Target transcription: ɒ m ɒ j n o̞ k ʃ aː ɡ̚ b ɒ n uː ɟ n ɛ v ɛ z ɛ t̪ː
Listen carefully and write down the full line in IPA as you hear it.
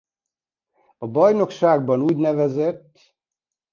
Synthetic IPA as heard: ɒ b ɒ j n o̞ k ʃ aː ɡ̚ b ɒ n uː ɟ n ɛ v ɛ z ɛ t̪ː